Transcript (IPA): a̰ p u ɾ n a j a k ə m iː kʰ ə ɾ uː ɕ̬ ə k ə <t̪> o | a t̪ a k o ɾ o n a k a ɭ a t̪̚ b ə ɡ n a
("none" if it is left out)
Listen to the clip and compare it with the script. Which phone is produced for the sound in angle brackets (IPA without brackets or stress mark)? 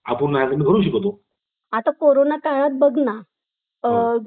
t̪